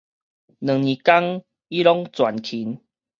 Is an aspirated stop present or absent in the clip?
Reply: present